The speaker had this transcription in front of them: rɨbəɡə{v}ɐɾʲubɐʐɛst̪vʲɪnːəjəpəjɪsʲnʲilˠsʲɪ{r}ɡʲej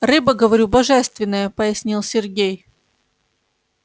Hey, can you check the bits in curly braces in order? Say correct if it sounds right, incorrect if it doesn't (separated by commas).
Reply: correct, correct